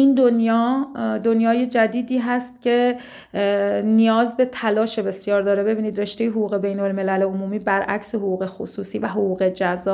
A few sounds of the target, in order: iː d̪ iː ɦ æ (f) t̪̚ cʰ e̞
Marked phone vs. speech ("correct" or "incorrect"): incorrect